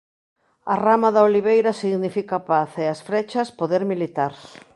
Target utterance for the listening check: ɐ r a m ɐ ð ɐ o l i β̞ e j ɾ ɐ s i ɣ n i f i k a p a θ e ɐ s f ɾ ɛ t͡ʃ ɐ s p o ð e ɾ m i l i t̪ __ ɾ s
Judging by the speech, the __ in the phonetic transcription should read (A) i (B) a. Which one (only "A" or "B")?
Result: B